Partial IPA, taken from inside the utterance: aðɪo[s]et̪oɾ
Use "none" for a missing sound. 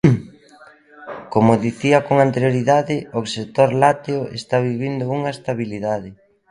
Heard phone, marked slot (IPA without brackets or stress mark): s